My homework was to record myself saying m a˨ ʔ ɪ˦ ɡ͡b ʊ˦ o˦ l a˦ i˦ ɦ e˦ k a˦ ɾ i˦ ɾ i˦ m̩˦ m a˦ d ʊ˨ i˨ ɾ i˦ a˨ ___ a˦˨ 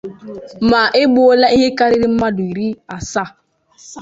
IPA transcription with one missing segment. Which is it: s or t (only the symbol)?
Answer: s